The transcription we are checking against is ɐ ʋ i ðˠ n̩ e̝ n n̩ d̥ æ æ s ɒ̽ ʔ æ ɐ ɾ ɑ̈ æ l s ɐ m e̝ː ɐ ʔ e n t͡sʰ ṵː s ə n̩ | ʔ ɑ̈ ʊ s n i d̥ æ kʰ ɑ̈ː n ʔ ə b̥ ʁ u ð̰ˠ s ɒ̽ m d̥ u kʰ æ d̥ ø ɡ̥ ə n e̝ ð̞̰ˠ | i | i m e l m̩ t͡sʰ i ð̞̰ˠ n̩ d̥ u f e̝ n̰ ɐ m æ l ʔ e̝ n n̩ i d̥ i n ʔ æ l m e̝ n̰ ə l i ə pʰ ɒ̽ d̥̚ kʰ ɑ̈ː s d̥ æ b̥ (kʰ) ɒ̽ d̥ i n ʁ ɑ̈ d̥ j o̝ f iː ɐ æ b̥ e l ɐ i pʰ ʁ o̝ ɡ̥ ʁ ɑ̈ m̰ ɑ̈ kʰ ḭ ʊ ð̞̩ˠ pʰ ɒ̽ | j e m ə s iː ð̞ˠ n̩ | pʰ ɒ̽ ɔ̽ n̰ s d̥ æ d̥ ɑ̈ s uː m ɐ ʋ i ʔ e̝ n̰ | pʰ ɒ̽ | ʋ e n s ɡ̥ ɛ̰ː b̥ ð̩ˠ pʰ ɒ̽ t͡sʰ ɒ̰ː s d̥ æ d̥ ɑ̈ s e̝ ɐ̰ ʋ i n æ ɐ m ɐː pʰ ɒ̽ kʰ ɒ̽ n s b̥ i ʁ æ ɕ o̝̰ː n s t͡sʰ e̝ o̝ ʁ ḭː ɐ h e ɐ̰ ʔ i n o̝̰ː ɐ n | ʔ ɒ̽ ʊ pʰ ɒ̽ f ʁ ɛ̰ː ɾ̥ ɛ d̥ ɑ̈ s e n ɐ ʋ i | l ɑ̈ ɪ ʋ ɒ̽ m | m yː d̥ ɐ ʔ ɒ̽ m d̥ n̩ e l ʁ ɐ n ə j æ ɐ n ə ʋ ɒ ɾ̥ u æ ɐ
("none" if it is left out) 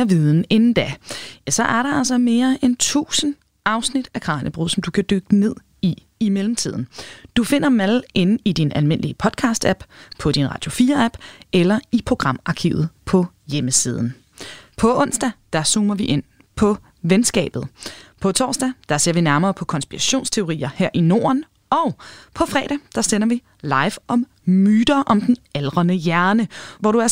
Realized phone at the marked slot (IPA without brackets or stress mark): pʰ